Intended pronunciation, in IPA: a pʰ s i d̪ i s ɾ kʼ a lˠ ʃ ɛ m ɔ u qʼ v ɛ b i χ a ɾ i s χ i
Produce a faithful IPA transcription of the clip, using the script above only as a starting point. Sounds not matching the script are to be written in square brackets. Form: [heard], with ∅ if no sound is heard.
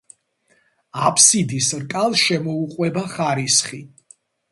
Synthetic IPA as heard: a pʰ s i d̪ i s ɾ kʼ a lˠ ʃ ɛ m ɔ u qʼ [w] ɛ b [a] χ a ɾ i s χ i